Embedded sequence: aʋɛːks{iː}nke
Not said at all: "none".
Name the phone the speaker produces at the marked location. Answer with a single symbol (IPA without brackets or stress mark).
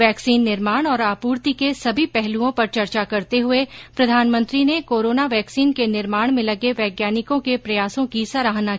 iː